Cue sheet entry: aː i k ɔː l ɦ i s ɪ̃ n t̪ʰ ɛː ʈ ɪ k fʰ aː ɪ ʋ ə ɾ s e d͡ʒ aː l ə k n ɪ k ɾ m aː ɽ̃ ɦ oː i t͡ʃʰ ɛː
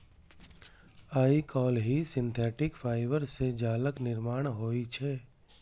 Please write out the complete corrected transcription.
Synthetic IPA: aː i k ɔː l ɦ i s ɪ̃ n t̪ʰ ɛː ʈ ɪ k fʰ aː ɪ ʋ ə ɾ s e d͡ʒ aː l ə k n ɪ ɾ m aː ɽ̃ ɦ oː i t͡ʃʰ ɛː